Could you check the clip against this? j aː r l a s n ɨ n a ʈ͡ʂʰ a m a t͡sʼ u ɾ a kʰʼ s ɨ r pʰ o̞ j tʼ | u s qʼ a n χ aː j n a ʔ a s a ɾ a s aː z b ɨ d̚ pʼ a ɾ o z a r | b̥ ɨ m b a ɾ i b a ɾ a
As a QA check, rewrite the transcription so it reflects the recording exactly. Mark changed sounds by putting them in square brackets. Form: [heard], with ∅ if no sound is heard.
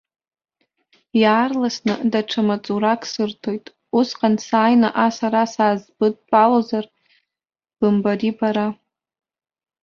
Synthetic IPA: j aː r l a s n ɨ [d] a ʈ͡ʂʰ a m a t͡sʼ u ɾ a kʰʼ s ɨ r [tʰ] o̞ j tʼ | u s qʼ a n [s] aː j n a ʔ a s a ɾ a s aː z b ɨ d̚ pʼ a [l] o z a r | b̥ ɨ m b a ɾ i b a ɾ a